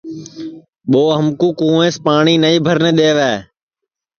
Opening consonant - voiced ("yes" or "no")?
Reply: yes